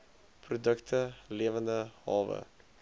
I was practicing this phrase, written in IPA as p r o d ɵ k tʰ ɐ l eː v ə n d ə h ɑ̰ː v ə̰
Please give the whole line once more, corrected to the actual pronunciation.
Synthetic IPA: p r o d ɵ k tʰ ə l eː v ə n d ə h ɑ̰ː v ə̰